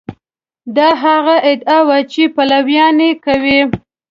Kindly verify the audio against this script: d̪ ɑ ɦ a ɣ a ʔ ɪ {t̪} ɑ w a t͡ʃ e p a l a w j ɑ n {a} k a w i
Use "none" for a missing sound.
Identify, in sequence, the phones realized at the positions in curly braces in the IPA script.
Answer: d̪, e

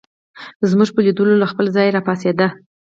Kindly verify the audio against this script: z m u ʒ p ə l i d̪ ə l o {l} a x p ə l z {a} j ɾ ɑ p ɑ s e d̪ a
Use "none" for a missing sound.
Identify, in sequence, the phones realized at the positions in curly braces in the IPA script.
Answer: l, ɑ

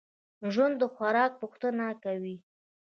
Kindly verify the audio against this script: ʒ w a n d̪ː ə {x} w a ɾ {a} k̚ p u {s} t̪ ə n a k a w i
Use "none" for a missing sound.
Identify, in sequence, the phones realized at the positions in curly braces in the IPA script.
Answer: x, ɑ, x

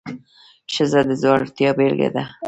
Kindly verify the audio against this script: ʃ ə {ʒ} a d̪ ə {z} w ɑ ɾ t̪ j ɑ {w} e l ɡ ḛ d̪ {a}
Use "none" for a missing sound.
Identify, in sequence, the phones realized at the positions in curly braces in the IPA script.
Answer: z, z, b, a

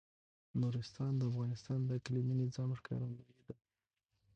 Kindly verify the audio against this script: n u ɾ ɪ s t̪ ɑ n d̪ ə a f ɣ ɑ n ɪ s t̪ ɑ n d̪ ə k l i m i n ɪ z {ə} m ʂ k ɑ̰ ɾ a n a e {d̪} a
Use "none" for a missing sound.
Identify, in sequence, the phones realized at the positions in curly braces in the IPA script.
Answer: ɑ, d̪

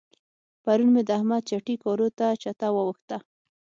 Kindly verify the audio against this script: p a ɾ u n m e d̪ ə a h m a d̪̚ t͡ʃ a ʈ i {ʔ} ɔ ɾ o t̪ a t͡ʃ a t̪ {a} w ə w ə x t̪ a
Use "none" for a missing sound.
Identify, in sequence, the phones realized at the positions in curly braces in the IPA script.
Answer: k, a

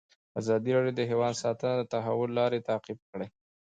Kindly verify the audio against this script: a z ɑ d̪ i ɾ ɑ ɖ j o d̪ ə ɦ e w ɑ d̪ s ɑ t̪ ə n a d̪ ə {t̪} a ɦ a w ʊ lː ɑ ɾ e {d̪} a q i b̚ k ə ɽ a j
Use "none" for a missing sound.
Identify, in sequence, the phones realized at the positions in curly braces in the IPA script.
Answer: t̪, t̪

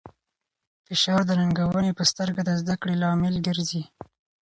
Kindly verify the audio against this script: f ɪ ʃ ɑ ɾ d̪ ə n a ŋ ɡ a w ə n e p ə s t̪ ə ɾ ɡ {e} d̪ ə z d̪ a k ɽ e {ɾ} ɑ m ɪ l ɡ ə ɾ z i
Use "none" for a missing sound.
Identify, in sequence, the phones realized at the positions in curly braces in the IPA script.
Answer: a, l

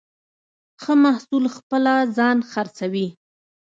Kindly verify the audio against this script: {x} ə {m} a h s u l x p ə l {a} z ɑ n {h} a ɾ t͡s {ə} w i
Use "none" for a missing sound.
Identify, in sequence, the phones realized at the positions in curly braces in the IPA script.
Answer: x, m, a, x, a

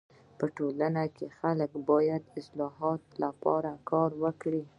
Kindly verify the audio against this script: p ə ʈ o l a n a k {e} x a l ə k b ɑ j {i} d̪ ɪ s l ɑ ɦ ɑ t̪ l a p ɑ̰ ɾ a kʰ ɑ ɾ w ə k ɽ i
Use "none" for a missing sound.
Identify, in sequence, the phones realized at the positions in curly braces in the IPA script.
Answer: e, a

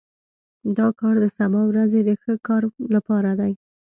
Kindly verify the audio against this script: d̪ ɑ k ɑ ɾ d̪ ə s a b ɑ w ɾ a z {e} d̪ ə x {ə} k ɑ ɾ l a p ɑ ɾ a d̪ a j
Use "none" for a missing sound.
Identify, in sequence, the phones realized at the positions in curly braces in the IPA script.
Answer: e, ə

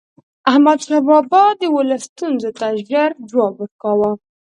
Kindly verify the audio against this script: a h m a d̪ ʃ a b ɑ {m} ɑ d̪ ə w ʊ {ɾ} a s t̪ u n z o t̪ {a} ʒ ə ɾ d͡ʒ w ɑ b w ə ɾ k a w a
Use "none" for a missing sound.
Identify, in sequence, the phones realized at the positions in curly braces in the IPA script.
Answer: b, l, a

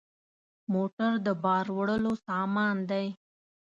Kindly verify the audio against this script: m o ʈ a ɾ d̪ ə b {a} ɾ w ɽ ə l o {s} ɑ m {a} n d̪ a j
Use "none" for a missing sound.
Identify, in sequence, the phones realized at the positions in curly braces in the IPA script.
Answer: ɑ, s, ɑ

